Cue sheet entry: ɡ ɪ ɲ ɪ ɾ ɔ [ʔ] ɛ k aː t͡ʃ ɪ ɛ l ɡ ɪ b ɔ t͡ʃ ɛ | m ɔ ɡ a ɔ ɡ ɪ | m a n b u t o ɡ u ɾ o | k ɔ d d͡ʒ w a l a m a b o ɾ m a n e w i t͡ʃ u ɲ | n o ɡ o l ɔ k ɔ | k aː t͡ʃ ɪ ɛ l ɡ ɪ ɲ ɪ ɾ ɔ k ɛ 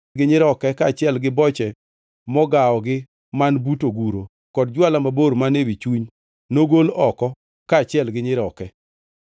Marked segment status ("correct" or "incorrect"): incorrect